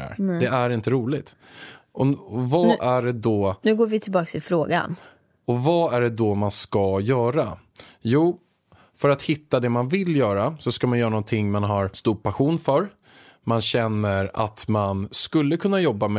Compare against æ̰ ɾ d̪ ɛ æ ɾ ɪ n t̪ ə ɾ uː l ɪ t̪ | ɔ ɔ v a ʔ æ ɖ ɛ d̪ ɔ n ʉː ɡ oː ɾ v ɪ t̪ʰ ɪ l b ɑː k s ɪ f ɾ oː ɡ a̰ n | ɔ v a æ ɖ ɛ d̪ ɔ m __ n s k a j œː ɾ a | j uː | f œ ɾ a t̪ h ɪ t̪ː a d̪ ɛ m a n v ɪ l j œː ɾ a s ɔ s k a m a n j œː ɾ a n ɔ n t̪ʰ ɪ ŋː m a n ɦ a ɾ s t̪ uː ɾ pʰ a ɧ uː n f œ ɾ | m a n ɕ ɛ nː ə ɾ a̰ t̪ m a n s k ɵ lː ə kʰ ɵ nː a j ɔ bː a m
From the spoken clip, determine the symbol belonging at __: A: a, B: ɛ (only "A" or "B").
A